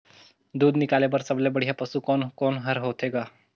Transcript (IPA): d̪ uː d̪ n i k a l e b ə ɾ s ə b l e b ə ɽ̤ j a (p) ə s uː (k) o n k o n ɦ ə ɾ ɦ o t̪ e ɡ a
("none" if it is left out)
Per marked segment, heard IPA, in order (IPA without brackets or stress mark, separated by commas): p, k